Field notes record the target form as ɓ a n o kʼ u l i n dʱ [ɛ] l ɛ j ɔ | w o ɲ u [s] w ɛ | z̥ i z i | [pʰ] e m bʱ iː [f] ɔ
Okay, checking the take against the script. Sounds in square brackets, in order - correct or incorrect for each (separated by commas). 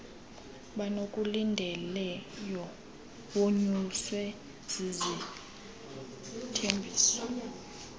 correct, correct, incorrect, incorrect